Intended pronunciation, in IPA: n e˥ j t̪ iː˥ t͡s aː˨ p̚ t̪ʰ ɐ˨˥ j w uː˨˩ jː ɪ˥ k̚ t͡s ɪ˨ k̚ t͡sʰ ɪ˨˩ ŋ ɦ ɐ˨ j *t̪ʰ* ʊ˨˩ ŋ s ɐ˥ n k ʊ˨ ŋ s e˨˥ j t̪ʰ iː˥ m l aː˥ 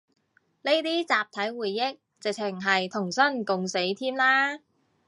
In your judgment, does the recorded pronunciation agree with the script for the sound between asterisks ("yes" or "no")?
yes